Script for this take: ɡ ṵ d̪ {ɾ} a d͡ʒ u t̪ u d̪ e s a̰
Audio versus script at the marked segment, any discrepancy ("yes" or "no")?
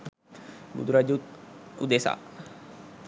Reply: no